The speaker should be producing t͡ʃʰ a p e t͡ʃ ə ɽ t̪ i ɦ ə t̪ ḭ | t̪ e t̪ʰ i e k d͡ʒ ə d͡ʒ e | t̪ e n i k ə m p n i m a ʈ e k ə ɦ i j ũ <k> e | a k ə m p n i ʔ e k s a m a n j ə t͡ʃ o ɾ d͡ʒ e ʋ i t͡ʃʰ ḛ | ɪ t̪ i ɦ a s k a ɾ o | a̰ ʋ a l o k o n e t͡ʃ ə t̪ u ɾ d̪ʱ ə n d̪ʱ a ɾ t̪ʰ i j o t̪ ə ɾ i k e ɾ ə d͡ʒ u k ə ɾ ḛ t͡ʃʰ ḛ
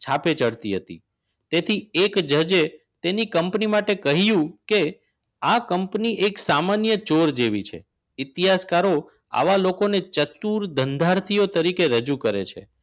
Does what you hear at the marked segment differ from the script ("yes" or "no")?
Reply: no